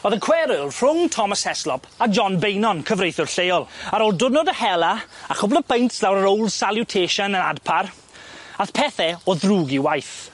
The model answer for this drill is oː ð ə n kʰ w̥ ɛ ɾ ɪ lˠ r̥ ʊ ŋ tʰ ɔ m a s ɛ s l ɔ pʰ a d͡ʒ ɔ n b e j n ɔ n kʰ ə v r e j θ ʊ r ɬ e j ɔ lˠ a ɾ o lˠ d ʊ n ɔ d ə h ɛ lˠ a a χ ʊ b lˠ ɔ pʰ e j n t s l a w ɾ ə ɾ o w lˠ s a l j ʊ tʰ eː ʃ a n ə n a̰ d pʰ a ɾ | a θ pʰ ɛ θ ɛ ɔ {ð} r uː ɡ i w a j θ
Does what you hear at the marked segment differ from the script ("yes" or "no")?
no